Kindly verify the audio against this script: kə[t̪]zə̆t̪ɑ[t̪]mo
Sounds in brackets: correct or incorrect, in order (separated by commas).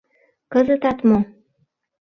incorrect, correct